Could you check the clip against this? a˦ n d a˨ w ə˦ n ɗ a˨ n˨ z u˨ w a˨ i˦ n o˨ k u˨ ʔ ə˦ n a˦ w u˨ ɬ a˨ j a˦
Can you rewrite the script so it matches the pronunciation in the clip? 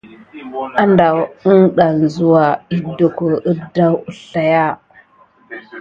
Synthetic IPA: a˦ n d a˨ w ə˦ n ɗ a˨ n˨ z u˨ w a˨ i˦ d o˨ k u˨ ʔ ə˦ d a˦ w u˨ ɬ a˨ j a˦